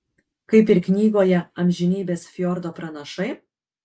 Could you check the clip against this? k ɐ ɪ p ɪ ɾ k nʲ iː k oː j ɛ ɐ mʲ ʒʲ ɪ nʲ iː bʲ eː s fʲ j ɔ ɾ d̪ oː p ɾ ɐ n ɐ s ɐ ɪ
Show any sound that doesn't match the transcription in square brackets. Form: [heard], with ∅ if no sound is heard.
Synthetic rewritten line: k ɐ ɪ p ɪ ɾ k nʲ iː [ɡ] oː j ɛ ɐ mʲ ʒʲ ɪ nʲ iː bʲ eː s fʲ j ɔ ɾ d̪ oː p ɾ ɐ n ɐ [ʃ] ɐ ɪ